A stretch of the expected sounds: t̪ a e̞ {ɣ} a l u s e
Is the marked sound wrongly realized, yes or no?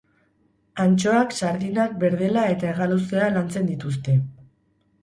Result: no